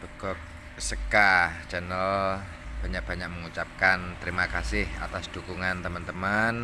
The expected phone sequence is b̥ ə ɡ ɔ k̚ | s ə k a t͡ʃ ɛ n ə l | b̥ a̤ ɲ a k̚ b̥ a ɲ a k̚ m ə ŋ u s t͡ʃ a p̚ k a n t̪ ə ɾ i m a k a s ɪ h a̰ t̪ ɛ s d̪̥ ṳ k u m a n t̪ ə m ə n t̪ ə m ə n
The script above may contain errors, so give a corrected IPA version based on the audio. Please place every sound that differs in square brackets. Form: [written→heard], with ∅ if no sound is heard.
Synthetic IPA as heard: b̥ ə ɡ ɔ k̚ | s ə k a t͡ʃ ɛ n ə l | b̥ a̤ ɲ a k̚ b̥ a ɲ a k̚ m ə ŋ u [s→∅] t͡ʃ a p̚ k a n t̪ ə ɾ i m a k a s ɪ h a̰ t̪ [ɛ→a] s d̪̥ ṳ k u [m→ŋ] a n t̪ ə m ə n t̪ ə m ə n